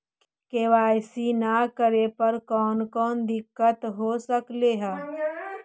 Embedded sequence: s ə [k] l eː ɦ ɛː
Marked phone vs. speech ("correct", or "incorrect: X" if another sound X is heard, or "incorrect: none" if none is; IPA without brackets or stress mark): correct